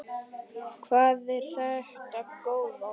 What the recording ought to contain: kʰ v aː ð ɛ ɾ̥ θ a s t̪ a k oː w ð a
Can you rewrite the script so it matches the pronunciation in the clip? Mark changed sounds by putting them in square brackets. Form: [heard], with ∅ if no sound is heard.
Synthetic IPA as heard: kʰ v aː ð ɛ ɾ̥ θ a [h] t̪ a k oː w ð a